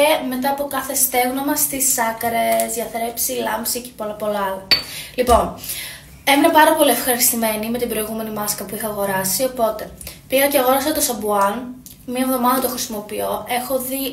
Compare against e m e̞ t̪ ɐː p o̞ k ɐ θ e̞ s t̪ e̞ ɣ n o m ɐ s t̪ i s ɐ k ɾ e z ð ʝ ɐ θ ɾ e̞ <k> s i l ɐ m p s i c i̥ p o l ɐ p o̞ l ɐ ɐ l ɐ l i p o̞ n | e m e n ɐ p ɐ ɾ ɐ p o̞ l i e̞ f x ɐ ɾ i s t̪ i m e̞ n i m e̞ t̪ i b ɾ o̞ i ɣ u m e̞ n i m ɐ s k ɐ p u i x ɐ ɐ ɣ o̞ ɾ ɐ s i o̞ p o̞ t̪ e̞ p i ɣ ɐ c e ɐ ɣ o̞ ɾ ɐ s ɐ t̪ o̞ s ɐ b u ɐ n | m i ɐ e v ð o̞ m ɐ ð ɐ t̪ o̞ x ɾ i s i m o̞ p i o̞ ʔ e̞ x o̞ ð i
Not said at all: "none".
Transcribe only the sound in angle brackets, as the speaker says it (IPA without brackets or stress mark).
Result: p